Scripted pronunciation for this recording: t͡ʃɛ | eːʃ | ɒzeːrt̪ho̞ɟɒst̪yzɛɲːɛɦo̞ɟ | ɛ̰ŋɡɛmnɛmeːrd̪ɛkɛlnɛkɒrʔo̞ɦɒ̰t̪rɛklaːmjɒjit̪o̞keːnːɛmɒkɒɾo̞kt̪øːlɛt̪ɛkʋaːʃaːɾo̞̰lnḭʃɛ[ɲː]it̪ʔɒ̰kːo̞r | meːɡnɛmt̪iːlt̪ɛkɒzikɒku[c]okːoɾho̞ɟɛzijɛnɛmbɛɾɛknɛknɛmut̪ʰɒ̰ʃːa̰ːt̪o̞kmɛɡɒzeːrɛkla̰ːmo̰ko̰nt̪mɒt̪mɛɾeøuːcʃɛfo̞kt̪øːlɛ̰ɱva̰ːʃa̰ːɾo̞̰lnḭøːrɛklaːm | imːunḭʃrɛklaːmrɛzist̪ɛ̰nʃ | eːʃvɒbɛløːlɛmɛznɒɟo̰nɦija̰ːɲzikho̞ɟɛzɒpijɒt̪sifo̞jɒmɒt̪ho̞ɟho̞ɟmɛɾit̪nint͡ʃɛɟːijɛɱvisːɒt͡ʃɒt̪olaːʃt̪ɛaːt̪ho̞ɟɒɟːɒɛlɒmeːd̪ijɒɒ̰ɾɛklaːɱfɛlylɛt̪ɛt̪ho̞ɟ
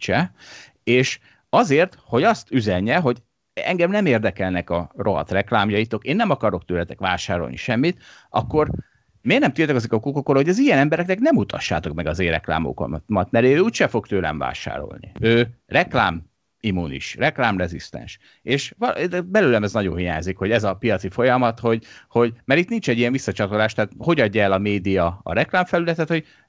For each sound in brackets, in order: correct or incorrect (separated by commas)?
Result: incorrect, incorrect